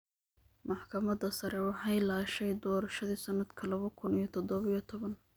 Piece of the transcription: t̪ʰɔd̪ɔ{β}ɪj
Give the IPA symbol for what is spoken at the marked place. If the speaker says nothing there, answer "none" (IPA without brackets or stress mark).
β